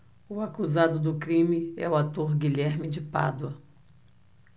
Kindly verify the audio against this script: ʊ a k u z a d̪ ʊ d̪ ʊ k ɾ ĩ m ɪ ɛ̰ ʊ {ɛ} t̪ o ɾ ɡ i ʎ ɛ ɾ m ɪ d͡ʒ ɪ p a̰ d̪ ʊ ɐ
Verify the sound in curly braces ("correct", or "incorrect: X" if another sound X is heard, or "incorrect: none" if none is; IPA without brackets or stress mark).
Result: incorrect: a